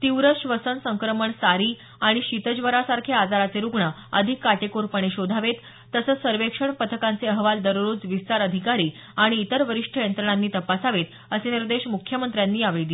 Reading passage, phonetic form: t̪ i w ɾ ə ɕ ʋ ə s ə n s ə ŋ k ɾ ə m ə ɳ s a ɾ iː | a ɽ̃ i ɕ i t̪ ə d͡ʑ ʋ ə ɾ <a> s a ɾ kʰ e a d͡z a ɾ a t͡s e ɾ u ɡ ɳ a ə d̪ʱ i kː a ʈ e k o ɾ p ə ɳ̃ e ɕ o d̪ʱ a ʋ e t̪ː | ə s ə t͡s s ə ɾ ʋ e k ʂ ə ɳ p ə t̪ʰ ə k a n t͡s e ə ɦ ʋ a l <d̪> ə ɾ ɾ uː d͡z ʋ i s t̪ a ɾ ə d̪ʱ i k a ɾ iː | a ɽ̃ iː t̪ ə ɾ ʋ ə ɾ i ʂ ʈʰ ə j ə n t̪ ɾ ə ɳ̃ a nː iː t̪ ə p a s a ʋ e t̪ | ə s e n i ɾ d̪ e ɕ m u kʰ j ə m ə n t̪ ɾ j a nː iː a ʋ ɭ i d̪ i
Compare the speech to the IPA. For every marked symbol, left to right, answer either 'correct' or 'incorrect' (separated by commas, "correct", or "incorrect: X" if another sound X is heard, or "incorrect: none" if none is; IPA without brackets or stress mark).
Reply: correct, correct